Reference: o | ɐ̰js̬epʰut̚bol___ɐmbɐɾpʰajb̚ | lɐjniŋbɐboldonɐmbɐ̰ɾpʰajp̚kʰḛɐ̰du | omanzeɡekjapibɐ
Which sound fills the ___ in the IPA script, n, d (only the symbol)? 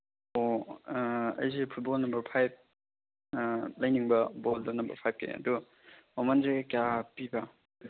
n